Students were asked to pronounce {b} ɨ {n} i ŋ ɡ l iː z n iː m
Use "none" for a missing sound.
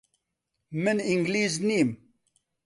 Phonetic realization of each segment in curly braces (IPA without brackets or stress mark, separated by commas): m, n